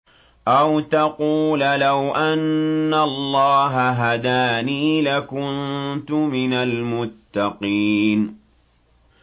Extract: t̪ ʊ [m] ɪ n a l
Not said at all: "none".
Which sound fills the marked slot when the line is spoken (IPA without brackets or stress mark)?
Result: m